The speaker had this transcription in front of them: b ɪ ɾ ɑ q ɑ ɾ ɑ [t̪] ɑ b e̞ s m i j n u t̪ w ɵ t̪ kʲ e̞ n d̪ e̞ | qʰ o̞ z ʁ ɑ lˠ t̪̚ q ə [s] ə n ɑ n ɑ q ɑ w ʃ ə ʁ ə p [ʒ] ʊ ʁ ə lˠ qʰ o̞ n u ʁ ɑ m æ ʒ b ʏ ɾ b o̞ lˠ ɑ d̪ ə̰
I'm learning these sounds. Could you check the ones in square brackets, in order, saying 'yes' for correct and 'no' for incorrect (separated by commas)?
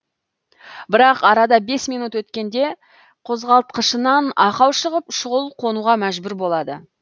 no, no, no